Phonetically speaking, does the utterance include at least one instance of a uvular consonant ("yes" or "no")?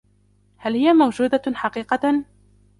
yes